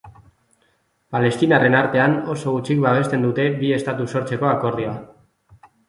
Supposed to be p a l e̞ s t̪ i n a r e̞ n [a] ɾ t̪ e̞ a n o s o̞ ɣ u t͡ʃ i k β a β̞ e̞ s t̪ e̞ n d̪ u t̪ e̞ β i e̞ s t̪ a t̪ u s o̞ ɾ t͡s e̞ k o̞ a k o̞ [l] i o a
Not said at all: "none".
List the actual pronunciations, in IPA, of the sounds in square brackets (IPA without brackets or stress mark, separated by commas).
a, r